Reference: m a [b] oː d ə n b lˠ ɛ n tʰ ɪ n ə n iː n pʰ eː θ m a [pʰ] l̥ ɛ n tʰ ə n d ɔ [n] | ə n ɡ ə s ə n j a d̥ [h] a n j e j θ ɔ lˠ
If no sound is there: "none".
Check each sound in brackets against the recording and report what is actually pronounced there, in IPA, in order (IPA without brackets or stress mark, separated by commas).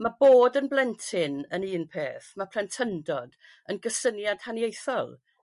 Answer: b, pʰ, d, h